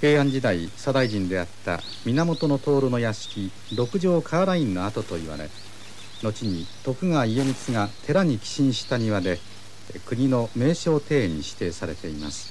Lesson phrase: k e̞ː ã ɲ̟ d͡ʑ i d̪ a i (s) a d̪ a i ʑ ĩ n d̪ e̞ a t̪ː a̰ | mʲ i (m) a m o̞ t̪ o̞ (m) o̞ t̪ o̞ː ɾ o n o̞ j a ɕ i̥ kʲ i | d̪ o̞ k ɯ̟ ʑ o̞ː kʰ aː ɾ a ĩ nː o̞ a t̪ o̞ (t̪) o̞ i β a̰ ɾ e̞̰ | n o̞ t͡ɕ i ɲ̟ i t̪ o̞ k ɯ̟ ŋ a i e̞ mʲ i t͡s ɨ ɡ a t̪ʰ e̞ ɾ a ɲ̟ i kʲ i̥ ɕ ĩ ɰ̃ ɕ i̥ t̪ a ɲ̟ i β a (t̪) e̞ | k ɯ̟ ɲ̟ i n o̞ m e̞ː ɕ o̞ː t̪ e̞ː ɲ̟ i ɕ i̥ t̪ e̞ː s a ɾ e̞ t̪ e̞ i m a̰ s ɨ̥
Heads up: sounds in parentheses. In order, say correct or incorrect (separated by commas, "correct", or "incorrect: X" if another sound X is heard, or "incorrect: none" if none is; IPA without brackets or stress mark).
correct, incorrect: n, incorrect: n, correct, incorrect: d̪